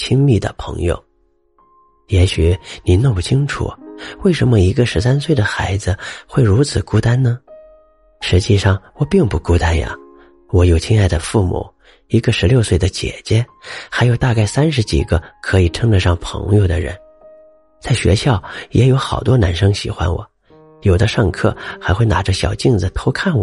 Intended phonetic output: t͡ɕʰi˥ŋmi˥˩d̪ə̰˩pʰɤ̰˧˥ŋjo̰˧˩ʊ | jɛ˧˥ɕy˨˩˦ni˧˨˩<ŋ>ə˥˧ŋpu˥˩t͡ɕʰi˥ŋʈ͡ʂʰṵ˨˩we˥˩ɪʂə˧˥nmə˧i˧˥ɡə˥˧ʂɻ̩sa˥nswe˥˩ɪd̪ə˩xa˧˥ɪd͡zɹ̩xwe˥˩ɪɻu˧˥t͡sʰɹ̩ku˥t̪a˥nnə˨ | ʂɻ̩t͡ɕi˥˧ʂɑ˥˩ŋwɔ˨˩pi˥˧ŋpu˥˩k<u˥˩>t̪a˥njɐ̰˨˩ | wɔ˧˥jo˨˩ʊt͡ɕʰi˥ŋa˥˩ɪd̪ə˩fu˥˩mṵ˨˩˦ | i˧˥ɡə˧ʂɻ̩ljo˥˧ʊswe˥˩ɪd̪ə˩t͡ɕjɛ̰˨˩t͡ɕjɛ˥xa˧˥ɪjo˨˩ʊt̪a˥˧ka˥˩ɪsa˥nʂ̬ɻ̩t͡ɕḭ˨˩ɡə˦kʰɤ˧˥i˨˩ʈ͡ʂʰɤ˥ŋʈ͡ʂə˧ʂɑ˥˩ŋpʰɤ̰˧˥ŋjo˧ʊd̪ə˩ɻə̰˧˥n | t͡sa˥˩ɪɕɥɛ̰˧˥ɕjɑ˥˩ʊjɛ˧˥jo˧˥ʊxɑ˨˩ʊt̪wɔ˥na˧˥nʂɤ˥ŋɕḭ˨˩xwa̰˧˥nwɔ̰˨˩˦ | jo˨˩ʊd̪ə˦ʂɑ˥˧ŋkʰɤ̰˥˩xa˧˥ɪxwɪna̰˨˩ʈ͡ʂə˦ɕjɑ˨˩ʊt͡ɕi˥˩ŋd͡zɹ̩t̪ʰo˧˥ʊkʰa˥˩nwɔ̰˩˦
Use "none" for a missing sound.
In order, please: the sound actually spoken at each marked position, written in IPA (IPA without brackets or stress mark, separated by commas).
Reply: n, u˥